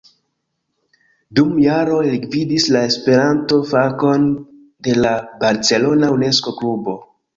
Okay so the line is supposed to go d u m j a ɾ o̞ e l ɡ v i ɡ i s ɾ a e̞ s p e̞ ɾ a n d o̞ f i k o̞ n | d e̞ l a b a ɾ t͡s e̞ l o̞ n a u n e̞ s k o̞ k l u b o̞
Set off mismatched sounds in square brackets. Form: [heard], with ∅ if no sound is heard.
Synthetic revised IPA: d u m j a ɾ o̞ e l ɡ v i [d] i s [l] a e̞ s p e̞ ɾ a n [t] o̞ f [a] k o̞ n | d e̞ l a b a ɾ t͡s e̞ l o̞ n a u n e̞ s k o̞ k l u b o̞